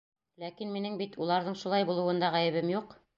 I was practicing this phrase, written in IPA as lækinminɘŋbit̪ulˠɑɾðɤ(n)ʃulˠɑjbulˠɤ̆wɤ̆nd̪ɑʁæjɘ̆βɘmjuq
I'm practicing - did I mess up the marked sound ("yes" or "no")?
yes